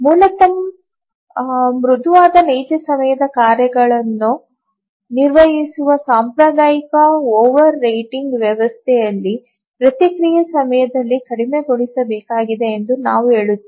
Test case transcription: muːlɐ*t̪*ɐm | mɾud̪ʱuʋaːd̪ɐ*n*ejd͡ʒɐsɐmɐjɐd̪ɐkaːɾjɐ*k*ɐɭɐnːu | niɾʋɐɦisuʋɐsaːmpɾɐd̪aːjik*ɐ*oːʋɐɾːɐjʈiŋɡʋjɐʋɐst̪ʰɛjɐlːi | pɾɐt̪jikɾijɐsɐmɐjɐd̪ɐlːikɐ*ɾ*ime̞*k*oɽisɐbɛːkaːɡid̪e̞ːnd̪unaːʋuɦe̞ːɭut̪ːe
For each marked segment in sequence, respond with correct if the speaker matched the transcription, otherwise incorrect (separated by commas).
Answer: correct, correct, incorrect, correct, incorrect, incorrect